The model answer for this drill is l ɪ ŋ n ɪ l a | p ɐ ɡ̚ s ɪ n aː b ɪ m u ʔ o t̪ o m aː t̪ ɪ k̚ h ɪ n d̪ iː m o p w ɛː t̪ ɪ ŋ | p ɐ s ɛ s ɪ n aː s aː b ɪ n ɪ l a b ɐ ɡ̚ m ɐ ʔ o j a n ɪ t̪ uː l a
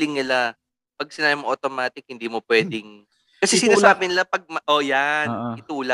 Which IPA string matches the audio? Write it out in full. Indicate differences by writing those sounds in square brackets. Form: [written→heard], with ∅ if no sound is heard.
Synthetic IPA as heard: l ɪ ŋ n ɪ l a | p ɐ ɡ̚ s ɪ n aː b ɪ m [u→o] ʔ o t̪ o m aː t̪ ɪ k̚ h ɪ n d̪ iː m o p w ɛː [t̪→d̪] ɪ ŋ | [p→k] ɐ s ɛ s ɪ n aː s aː b ɪ n ɪ l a [b→p] ɐ ɡ̚ m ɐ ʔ o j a n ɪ t̪ uː l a